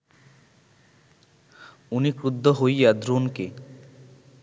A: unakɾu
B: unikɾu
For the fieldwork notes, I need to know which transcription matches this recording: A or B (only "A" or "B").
B